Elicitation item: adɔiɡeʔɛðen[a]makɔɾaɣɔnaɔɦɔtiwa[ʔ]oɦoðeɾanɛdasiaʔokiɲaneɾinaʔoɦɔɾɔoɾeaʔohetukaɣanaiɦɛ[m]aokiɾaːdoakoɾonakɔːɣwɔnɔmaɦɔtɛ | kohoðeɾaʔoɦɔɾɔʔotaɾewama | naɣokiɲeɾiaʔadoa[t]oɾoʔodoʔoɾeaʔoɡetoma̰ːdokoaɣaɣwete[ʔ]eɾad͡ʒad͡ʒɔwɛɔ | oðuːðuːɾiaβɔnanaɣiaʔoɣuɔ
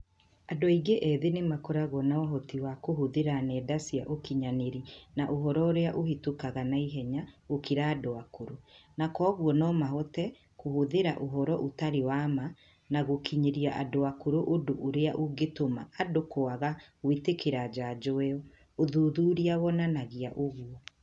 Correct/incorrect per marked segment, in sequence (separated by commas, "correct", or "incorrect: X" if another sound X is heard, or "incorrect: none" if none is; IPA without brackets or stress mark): incorrect: e, incorrect: k, incorrect: ɲ, incorrect: k, incorrect: k